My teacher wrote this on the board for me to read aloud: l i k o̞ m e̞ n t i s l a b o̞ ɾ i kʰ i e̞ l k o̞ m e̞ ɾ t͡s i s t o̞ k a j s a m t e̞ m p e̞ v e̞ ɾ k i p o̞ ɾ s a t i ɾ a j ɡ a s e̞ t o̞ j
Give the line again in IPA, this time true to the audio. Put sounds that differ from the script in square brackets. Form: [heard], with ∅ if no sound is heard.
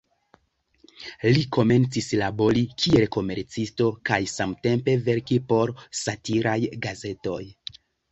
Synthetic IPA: l i k o̞ m e̞ n [t͡s] i s l a b o̞ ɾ i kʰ i e̞ l k o̞ m e̞ ɾ t͡s i s t o̞ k a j s a m t e̞ m p e̞ v e̞ ɾ k i p o̞ ɾ s a t i ɾ a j ɡ a [z] e̞ t o̞ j

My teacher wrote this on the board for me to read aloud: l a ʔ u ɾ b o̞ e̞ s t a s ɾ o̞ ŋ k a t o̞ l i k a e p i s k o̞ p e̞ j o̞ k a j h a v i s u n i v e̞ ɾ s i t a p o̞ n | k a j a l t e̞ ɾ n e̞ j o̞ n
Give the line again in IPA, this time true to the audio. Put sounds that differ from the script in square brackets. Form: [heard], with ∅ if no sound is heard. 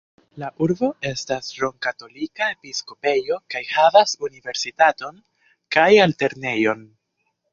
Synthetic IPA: l a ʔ u ɾ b o̞ e̞ s t a s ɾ o̞ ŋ k a t o̞ l i k a e p i s k o̞ p e̞ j o̞ k a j h a v [a] s u n i v e̞ ɾ s i t a [t] o̞ n | k a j a l t e̞ ɾ n e̞ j o̞ n

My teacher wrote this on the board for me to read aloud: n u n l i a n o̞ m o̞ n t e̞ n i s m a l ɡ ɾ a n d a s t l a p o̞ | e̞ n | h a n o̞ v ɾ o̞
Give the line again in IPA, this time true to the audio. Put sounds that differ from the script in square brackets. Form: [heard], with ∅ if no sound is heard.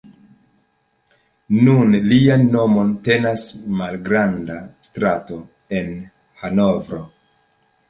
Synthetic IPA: n u n l i a [nː] o̞ m o̞ n t e̞ n [a] s m a l ɡ ɾ a n d a s t [ɾ] a [t] o̞ | e̞ n | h a n o̞ v ɾ o̞

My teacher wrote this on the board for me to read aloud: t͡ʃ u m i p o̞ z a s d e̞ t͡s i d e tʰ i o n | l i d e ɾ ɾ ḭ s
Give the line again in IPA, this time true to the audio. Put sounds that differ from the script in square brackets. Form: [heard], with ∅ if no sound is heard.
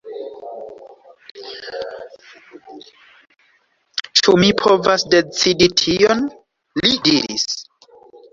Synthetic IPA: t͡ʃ u m i [pʰ] o̞ [v] a s d e̞ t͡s i d [i] tʰ i o n | l i d [i] ɾ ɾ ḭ s

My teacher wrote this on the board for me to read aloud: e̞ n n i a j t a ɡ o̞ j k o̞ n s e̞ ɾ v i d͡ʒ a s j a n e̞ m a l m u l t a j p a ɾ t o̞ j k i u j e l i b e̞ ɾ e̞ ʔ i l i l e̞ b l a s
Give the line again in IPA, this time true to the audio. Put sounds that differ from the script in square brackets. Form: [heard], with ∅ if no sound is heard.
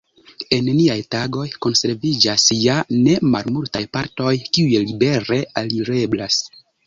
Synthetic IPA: e̞ n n i a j t a ɡ o̞ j k o̞ n s e̞ ɾ v i d͡ʒ a s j a n e̞ m a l m u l t a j p a ɾ t o̞ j k i u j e l i b e̞ ɾ e̞ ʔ [a] l i [ɾ] e̞ b l a s

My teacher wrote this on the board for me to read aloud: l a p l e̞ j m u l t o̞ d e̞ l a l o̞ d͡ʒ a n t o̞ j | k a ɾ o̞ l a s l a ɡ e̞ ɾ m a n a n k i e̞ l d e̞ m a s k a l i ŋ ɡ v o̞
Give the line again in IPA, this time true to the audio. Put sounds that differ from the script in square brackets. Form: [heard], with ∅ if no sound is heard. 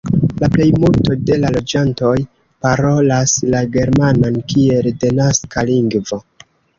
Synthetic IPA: l a p l e̞ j m u l t o̞ d e̞ l a l o̞ d͡ʒ a n t o̞ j | [p] a ɾ o̞ l a s l a ɡ e̞ ɾ m a n a n k i e̞ l d e̞ [n] a s k a l i ŋ ɡ v o̞

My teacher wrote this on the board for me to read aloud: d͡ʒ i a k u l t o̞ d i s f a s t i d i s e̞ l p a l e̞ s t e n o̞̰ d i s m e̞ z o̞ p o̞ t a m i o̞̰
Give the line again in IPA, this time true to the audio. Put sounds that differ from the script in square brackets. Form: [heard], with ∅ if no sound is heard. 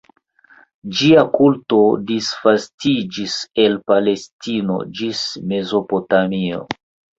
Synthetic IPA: d͡ʒ i a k u l t o̞ d i s f a s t i [d͡ʒ] i s e̞ l p a l e̞ s t [i] n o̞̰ [d͡ʒ] i s m e̞ z o̞ p o̞ t a m i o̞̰

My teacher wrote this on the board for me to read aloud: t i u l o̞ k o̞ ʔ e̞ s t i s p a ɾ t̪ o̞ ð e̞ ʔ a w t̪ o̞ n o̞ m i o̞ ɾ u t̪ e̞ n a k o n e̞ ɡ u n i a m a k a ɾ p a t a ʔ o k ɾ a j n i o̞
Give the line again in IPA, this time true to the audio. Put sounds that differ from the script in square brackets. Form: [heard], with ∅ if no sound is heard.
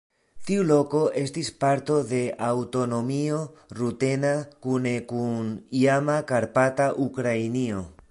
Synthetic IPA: t i u l o̞ k o̞ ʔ e̞ s t i s p a ɾ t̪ o̞ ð e̞ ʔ a w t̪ o̞ n o̞ m i o̞ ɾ u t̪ e̞ n a k [u] n e̞ [k] u n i a m a k a ɾ p a t a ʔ [u] k ɾ a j n i o̞

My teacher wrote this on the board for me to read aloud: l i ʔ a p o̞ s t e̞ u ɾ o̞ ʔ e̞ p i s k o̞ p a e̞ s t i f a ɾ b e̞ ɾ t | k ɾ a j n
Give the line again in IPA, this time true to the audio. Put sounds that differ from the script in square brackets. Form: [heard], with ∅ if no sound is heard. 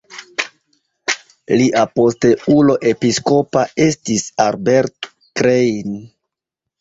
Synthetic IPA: l i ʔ a p o̞ s t e̞ u [l] o̞ ʔ e̞ p i s k o̞ p a e̞ s t i [s] a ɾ b e̞ ɾ t | k ɾ [e] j n

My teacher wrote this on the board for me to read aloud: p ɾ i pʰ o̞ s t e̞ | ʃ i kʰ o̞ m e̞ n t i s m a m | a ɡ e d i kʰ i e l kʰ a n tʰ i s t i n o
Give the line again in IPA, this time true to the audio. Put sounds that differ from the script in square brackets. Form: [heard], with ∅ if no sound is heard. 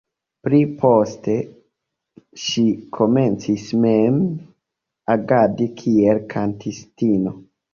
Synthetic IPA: p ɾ i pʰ o̞ s t e̞ | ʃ i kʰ o̞ m e̞ n [t͡s] i s m [e] m | a ɡ [a] d i kʰ i e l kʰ a n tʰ i s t i n o

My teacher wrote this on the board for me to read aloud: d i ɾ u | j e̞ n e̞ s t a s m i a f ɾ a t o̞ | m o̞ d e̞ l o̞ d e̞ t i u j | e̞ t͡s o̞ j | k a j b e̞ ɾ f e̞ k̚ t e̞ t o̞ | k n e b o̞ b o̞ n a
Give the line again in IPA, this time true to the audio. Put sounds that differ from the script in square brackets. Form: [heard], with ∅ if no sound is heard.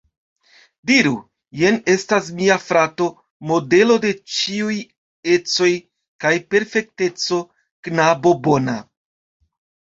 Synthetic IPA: d i ɾ u | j e̞ n e̞ s t a s m i a f ɾ a t o̞ | m o̞ d e̞ l o̞ d e̞ [t͡ʃ] i u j | e̞ t͡s o̞ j | k a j [p] e̞ ɾ f e̞ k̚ t e̞ [t͡s] o̞ | k n [a] b o̞ b o̞ n a

